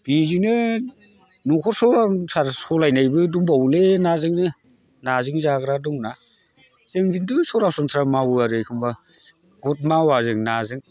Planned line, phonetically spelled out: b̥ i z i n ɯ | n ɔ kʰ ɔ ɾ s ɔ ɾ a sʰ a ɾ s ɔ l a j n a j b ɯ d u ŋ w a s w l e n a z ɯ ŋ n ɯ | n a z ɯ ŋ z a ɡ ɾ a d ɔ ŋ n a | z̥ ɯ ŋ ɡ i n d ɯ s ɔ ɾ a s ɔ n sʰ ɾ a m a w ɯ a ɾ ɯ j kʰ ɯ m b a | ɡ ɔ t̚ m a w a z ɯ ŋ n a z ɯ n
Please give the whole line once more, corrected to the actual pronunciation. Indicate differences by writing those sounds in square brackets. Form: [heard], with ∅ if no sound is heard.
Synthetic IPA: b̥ i z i n ɯ | n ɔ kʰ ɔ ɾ s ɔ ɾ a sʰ a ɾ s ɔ l a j n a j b ɯ d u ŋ [b] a [∅] w l e n a z ɯ ŋ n ɯ | n a z ɯ ŋ z a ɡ ɾ a d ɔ ŋ n a | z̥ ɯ ŋ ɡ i n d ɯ s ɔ ɾ a s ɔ n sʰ ɾ a m a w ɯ a ɾ ɯ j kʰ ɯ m b a | ɡ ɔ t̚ m a w a z ɯ ŋ n a z ɯ [ŋ]